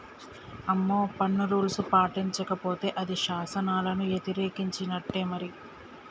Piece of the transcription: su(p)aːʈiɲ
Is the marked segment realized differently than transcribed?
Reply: no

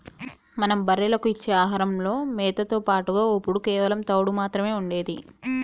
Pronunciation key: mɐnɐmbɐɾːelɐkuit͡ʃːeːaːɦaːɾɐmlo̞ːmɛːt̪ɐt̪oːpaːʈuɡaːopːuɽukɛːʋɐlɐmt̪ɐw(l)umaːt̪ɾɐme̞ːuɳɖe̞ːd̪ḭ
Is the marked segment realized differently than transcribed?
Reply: yes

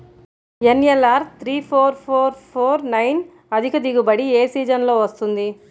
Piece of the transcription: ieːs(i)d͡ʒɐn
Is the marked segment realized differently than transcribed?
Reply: yes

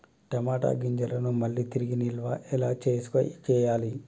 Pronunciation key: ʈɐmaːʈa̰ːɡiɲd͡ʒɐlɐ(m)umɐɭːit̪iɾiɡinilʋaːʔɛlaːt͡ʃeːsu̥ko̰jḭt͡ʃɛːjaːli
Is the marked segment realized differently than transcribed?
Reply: yes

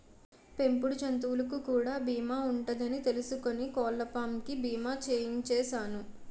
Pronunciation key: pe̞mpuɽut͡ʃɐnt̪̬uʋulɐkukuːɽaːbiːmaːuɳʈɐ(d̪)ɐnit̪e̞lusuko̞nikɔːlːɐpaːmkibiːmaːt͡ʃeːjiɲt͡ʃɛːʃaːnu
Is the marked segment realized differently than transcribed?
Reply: no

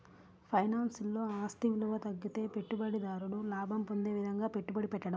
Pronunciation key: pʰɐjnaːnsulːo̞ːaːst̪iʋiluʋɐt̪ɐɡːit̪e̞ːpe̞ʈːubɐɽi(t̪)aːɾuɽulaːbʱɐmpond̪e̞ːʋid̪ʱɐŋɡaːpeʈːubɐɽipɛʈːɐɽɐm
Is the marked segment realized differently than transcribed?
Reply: yes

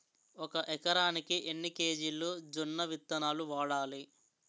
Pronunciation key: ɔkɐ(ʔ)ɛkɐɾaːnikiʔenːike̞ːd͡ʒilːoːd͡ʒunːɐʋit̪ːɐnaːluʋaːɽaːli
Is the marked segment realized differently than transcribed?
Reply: no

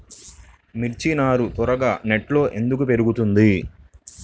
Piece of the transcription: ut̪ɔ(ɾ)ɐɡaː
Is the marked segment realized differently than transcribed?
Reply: no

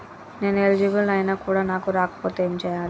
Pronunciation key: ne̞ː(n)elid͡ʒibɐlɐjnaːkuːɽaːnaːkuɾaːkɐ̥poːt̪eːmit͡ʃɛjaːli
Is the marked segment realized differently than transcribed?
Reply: no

